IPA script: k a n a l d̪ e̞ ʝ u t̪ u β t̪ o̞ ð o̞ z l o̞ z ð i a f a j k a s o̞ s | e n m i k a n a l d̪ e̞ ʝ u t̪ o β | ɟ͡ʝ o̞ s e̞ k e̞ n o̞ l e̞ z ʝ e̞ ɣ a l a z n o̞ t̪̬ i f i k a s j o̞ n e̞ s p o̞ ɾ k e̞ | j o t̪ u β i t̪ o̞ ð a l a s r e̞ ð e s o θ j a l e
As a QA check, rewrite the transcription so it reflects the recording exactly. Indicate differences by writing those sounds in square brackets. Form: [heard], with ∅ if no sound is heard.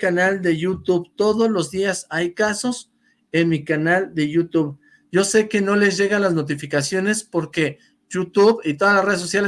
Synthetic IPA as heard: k a n a l d̪ e̞ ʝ u t̪ u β t̪ o̞ ð o̞ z l o̞ z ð i a [s] a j k a s o̞ s | e n m i k a n a l d̪ e̞ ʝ u t̪ [u] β | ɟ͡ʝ o̞ s e̞ k e̞ n o̞ l e̞ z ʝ e̞ ɣ a l a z n o̞ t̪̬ i f i k a s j o̞ n e̞ s p o̞ ɾ k e̞ | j [u] t̪ u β i t̪ o̞ ð a l a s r e̞ ð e s o [s] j a l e